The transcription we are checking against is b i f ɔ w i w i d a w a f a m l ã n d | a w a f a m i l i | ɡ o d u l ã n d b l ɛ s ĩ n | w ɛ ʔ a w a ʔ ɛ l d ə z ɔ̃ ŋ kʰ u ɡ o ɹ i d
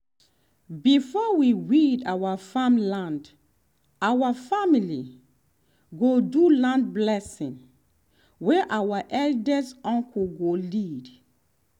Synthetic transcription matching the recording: b i f ɔ w i w i d a w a f a m l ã n d | a w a f a m i l i | ɡ o d u l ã n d b l ɛ s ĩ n | w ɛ ʔ a w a ʔ ɛ l d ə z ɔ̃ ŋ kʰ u ɡ o l i d